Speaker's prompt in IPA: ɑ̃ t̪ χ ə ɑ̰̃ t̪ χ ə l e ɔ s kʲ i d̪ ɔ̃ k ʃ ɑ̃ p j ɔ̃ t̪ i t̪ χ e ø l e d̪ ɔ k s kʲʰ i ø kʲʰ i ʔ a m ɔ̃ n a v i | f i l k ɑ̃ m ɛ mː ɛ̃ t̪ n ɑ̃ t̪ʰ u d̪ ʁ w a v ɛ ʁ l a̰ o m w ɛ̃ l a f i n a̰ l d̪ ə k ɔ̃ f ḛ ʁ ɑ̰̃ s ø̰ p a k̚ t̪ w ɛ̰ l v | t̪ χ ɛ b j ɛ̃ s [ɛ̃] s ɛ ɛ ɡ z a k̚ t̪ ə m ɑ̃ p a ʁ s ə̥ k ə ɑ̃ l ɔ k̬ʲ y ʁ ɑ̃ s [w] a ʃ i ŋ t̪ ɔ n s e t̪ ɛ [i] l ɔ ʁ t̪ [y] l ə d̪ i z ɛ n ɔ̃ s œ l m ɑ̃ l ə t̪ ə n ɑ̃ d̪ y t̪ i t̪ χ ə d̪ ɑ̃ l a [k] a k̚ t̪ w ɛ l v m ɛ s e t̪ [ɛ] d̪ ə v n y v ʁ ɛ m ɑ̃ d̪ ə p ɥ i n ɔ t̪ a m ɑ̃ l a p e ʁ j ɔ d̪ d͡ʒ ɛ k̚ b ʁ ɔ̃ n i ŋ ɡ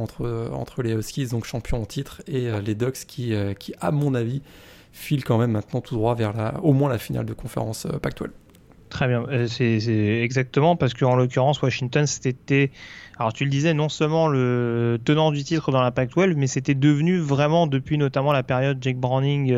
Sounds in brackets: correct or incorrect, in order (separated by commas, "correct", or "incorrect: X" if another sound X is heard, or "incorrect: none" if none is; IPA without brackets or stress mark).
incorrect: ɛ, correct, incorrect: a, correct, incorrect: p, correct